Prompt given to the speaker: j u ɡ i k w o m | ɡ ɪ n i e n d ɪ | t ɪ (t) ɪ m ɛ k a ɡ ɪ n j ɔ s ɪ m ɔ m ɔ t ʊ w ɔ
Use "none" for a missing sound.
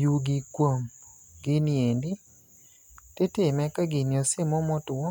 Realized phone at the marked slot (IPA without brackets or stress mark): t